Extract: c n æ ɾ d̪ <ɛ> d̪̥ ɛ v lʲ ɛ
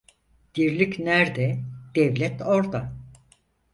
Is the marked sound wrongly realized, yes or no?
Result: no